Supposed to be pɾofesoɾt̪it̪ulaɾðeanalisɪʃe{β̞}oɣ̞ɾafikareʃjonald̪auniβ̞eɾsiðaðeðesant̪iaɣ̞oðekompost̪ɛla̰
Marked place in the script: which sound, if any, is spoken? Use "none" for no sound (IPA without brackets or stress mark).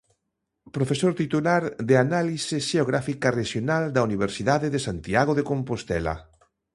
none